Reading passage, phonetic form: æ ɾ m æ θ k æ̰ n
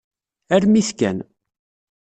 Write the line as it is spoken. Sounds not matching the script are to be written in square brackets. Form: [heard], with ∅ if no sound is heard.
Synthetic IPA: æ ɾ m [i] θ k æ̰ n